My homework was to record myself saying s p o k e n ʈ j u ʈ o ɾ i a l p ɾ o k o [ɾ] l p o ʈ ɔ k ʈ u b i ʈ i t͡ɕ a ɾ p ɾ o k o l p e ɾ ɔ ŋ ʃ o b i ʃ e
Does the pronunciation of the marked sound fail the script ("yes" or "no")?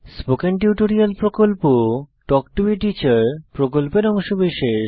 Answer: yes